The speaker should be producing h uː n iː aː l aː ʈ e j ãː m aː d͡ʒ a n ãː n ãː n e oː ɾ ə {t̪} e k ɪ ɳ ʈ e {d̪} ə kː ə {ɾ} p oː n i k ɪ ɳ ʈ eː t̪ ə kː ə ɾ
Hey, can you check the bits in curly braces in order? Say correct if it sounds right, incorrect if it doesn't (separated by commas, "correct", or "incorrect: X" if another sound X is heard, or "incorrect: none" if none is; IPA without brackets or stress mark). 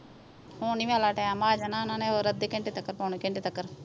incorrect: d̪, incorrect: t̪, correct